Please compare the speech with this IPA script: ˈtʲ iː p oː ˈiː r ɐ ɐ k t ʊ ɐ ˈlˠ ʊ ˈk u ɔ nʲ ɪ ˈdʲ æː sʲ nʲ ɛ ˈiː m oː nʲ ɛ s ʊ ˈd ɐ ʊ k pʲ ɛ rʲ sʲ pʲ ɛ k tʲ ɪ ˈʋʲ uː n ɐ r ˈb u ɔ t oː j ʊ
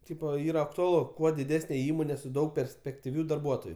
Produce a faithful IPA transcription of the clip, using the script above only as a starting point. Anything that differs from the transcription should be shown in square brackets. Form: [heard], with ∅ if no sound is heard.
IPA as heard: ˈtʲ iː p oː ˈiː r ɐ ɐ k t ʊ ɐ ˈlˠ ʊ ˈk u ɔ [dʲ] ɪ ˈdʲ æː sʲ nʲ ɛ ˈiː m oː nʲ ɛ s ʊ ˈd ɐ ʊ k pʲ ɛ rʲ sʲ pʲ ɛ k tʲ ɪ ˈʋʲ uː [d] ɐ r ˈb u ɔ t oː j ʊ